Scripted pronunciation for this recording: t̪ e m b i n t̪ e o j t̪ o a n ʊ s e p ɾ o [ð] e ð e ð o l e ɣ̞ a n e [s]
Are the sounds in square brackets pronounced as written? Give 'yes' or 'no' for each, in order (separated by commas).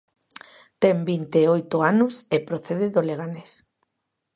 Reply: no, yes